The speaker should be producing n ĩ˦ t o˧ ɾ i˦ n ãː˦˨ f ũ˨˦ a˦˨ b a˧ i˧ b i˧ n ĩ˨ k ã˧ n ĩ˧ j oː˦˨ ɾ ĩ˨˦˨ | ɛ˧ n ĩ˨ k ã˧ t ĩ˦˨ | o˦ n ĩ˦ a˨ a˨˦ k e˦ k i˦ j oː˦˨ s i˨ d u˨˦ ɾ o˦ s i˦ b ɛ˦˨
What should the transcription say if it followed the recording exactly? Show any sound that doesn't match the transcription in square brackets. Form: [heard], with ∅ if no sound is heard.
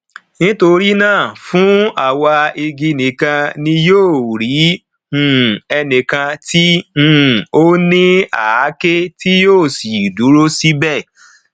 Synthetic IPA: n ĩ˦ t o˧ ɾ i˦ n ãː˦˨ f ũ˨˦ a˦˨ [w] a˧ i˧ [ɡ] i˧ n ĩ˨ k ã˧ n ĩ˧ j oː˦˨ ɾ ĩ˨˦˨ | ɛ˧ n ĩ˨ k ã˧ t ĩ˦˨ | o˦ n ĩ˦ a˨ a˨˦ k e˦ [t] i˦ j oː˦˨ s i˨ d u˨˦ ɾ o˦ s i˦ b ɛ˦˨